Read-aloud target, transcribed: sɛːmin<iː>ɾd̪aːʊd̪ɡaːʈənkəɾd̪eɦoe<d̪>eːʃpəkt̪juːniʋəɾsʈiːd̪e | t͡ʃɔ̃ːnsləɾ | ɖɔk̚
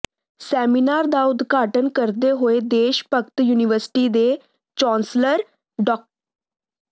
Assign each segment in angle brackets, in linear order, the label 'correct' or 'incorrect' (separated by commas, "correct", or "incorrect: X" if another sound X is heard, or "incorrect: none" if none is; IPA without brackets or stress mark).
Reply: incorrect: aː, correct